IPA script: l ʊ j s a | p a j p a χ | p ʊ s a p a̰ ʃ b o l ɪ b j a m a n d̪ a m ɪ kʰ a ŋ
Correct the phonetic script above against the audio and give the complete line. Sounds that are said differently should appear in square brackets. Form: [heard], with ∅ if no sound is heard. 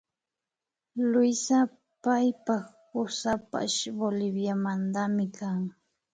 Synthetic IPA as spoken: l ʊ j s a | p a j p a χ | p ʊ s a p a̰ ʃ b o l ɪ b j a m a n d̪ a m ɪ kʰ a ŋ